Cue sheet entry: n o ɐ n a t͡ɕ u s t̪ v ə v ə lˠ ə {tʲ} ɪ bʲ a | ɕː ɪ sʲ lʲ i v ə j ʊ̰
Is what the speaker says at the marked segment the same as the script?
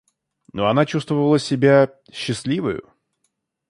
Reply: no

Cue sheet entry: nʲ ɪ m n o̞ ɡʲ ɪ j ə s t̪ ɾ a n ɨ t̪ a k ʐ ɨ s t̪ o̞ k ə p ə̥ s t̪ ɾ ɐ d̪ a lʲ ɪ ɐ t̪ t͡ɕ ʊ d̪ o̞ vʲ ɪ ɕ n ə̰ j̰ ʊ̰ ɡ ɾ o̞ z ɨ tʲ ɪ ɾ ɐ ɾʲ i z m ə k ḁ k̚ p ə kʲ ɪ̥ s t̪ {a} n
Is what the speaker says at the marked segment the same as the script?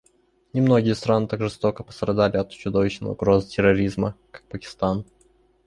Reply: yes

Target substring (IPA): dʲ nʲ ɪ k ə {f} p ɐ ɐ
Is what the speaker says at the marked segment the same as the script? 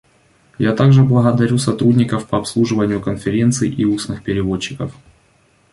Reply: yes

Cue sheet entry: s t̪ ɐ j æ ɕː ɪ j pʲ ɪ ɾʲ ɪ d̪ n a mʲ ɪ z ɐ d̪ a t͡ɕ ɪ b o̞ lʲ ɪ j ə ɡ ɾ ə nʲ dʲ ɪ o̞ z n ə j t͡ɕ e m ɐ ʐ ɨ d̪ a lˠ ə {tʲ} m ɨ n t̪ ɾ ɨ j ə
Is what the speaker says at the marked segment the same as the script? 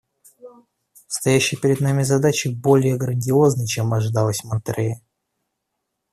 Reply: no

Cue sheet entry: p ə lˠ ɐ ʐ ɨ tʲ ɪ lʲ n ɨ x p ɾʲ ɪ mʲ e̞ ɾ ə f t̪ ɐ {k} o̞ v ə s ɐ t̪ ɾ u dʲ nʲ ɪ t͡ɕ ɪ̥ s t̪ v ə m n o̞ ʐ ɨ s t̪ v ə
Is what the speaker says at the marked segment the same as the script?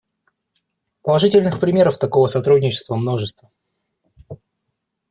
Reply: yes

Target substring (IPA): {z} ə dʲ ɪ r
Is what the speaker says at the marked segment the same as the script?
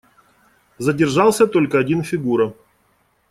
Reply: yes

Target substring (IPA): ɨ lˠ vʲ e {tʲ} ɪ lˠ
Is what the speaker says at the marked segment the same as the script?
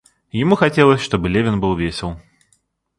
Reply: no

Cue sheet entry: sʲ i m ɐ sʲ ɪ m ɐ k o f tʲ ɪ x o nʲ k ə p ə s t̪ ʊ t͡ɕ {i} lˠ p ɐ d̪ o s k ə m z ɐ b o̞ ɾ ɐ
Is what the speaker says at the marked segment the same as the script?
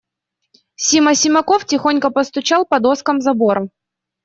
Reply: no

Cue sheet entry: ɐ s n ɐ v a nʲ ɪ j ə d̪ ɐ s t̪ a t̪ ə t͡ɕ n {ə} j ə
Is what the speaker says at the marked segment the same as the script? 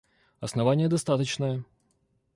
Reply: yes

